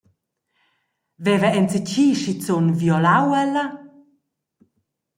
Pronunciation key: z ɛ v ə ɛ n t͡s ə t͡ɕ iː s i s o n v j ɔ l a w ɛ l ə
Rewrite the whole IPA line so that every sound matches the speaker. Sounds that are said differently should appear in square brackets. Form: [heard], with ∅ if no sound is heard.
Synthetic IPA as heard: [v] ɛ v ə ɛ n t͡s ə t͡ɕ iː [ʃ] i [t͡s] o n v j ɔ l a w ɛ l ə